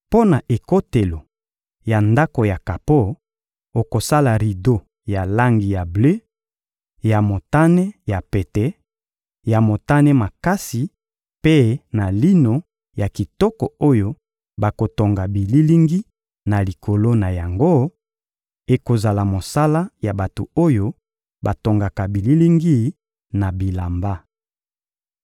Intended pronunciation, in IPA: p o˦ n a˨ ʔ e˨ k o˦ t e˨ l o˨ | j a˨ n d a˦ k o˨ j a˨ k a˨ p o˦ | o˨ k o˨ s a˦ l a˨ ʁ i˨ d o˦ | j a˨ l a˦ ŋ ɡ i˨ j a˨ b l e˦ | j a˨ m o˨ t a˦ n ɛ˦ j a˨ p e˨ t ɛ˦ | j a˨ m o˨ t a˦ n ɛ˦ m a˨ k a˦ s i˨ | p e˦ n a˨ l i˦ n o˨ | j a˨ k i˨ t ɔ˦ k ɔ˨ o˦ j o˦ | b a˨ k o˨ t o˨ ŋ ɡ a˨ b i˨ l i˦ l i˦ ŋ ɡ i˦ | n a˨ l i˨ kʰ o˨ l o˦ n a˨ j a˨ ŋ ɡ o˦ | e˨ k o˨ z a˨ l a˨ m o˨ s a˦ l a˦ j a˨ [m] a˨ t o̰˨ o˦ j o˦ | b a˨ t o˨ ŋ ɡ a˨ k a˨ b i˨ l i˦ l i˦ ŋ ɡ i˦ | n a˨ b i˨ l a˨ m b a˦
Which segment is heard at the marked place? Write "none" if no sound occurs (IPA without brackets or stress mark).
b